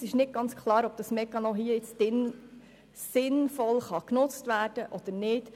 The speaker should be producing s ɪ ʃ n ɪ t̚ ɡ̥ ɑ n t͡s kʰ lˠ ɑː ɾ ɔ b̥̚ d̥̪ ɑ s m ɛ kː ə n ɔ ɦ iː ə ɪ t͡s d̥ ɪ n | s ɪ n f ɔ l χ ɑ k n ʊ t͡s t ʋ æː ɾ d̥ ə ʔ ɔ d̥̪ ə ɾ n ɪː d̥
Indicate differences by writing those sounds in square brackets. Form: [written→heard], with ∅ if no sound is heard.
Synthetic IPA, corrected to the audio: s ɪ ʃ n ɪ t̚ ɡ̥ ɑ n t͡s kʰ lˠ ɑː ɾ ɔ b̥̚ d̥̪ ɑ s m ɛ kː [ə→ɑ] n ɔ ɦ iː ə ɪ t͡s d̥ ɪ n | s ɪ n f ɔ l χ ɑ k n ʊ t͡s t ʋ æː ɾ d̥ ə ʔ ɔ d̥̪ ə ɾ n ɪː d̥